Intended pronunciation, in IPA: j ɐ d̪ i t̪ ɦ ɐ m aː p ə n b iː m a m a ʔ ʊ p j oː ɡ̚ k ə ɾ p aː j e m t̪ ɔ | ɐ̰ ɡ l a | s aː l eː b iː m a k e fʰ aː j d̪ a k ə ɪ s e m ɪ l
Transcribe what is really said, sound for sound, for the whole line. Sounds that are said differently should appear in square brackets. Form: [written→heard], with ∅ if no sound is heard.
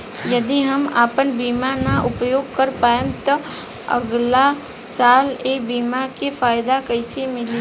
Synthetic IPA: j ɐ d̪ i [t̪→∅] ɦ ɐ m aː p ə n b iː m a [m→n] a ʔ ʊ p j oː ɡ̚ k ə ɾ p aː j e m t̪ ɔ | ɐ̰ ɡ l a | s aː l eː b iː m a k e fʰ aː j d̪ a k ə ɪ s e m ɪ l